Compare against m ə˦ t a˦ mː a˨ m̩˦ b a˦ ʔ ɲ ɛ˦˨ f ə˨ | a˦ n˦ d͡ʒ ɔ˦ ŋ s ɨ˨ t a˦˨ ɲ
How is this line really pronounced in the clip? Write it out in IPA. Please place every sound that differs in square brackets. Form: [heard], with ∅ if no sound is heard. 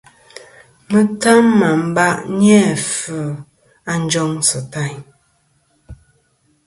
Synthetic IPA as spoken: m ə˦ t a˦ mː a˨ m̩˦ b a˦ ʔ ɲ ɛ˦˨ f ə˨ | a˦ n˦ d͡ʒ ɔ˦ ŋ s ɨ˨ t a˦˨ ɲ